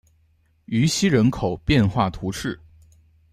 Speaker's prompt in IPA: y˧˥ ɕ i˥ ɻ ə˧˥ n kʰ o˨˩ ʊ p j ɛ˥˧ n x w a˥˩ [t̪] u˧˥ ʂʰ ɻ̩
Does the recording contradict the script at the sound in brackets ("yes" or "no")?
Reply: yes